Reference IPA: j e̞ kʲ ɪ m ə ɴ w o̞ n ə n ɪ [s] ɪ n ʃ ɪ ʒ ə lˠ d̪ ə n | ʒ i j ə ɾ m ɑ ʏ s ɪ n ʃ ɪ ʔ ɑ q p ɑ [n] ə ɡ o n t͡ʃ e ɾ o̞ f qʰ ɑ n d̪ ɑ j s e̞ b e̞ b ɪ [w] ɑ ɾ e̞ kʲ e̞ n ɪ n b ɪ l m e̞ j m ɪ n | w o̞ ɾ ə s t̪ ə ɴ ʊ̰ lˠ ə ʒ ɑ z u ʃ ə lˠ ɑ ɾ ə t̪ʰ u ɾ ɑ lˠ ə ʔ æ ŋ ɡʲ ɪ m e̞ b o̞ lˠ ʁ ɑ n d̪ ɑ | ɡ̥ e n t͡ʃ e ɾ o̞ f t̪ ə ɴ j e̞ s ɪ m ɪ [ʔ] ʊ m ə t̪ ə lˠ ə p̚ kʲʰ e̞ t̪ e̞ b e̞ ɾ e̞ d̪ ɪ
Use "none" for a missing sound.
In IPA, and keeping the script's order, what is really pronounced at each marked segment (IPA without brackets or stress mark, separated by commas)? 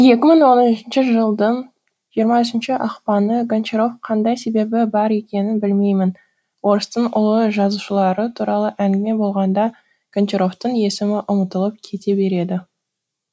ʃ, n, b, ʔ